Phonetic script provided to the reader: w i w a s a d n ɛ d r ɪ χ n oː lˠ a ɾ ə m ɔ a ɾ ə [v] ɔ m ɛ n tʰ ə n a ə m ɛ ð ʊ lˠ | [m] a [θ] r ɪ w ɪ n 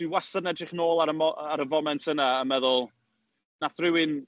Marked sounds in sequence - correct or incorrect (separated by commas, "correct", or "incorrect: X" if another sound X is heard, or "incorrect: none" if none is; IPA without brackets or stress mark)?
correct, incorrect: n, correct